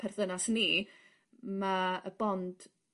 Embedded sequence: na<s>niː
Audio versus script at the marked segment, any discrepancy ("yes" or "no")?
no